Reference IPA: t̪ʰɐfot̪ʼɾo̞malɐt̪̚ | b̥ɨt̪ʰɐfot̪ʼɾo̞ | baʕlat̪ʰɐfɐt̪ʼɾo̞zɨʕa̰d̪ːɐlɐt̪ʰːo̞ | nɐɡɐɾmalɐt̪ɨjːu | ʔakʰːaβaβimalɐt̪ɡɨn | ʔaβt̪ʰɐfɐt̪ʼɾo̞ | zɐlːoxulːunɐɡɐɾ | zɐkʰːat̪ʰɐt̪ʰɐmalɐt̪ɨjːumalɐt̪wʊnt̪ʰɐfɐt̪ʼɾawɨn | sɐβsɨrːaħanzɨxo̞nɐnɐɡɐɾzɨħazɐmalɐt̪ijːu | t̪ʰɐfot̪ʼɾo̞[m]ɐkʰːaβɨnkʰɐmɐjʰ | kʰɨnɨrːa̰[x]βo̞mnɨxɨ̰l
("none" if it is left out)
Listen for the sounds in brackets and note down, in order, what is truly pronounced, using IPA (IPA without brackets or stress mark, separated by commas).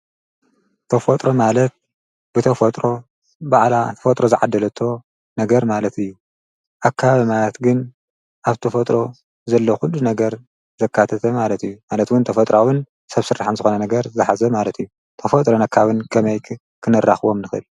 n, x